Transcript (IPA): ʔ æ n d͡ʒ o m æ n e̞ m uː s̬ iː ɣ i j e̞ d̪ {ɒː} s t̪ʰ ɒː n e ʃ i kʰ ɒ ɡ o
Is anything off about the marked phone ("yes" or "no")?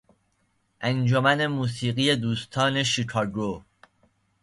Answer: yes